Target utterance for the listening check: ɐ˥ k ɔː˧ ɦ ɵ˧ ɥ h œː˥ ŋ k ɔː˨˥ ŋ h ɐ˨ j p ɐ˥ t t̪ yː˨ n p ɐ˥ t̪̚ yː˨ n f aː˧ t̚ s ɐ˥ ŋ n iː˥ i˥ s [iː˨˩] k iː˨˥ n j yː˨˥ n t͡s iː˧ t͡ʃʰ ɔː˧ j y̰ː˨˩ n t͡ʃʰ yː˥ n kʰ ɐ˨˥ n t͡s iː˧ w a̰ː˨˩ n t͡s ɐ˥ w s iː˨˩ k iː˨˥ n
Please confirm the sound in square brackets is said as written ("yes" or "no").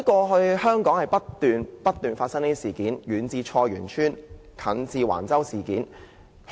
yes